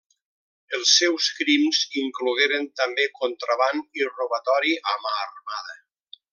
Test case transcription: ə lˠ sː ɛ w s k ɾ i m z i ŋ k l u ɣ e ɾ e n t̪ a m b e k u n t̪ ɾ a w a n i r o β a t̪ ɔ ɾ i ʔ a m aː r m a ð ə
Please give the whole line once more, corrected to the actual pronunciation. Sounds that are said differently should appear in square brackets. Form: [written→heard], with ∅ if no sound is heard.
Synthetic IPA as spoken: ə lˠ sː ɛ w s k ɾ i m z i ŋ k l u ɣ e ɾ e n t̪ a m b e k [u→o] n t̪ ɾ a [w→β] a n i r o β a t̪ ɔ ɾ i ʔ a m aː r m a ð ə

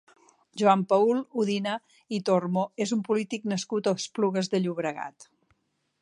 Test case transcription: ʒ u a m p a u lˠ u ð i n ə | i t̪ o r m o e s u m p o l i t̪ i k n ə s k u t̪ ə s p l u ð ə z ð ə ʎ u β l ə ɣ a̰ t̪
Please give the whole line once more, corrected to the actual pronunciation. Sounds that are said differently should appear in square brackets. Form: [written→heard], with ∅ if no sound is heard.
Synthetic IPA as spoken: ʒ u a m p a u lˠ u ð i n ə | i t̪ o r m o e [s→z] u m p [o→u] l i t̪ i k n ə s k u t̪ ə s p l u [ð→ɣ] ə z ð ə ʎ u β [l→ɾ] ə ɣ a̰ t̪

